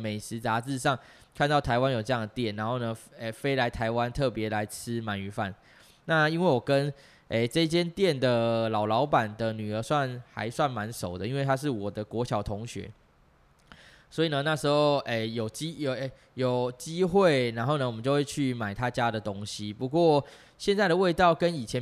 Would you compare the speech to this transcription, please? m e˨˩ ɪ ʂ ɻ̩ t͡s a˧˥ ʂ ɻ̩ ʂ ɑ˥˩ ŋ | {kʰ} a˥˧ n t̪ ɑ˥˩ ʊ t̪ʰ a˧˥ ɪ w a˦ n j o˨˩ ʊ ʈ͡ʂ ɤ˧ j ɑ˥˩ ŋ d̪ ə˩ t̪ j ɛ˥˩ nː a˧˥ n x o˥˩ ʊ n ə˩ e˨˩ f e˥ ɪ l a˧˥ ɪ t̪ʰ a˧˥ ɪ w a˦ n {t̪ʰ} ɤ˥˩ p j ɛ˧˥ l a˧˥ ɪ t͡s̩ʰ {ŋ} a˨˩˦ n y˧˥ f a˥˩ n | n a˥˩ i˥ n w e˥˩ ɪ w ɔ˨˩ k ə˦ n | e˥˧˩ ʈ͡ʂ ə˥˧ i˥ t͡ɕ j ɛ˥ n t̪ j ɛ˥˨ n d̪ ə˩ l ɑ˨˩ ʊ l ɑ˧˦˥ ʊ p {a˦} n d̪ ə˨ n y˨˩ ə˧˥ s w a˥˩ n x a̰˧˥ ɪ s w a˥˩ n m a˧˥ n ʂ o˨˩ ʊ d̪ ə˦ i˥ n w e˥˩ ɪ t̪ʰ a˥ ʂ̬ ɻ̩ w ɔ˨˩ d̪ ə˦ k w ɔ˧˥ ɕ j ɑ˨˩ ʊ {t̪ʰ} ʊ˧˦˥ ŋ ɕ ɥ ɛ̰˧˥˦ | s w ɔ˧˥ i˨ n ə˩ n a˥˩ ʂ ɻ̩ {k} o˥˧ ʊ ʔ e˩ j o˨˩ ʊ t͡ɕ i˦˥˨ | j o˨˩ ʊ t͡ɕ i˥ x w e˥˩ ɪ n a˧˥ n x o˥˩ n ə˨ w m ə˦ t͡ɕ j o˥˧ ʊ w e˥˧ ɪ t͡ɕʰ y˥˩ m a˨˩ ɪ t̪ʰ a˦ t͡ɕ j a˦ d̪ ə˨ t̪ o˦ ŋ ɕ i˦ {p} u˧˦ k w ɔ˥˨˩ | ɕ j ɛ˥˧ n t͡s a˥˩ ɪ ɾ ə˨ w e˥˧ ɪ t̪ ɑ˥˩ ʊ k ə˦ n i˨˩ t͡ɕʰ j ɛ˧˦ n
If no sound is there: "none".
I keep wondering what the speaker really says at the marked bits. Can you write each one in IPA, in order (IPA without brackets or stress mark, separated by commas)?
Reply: kʰ, t̪ʰ, m, a˨˩, t̪ʰ, x, p